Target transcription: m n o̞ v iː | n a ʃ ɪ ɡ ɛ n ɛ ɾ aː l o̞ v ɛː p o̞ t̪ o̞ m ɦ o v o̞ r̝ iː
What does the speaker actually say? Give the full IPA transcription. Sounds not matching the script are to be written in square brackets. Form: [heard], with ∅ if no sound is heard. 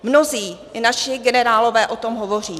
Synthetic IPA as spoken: m n o̞ [z] iː | n a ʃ ɪ ɡ ɛ n ɛ ɾ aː l o̞ v ɛː [ʔ] o̞ t̪ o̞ m ɦ o v o̞ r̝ iː